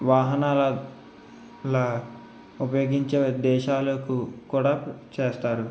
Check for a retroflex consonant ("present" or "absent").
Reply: present